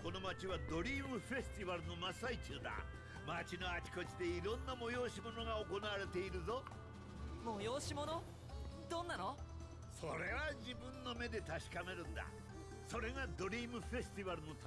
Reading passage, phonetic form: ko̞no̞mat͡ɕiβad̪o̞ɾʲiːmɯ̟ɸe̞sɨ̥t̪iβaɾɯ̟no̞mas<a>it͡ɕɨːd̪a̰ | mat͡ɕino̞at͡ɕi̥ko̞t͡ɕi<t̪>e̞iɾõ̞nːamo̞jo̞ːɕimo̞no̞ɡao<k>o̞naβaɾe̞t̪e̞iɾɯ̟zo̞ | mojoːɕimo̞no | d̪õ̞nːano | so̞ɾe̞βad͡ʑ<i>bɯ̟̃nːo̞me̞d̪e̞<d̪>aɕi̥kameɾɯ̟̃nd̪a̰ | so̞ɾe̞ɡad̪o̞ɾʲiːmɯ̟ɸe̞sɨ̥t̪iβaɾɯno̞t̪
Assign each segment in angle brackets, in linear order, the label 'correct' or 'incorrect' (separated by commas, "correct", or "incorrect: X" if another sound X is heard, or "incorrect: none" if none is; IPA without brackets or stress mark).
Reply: correct, incorrect: d̪, correct, correct, incorrect: t̪